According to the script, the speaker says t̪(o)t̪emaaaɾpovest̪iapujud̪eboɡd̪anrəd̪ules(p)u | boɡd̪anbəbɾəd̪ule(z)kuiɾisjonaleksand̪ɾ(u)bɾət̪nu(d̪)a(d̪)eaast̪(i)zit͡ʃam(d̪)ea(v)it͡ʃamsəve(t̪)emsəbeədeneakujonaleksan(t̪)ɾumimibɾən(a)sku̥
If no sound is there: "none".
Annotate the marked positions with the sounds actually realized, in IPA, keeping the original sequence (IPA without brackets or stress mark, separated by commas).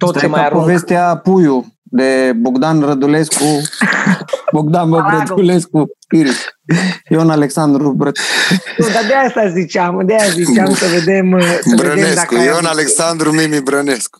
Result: o, k, s, u, d̪, d̪, a, d̪, z, d̪, d̪, e